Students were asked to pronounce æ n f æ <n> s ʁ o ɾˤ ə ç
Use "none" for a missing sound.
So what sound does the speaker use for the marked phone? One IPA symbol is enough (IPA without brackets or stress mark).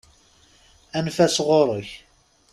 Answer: none